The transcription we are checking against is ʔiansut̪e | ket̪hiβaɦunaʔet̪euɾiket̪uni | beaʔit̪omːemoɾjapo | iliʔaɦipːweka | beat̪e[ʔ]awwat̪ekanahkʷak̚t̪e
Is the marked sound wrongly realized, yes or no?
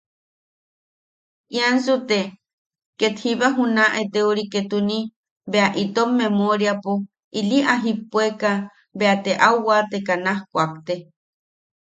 no